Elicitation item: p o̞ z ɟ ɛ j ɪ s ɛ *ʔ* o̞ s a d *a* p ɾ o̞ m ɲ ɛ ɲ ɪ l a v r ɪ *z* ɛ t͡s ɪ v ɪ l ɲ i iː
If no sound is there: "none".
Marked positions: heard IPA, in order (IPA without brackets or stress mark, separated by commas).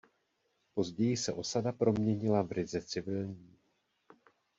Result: ʔ, a, z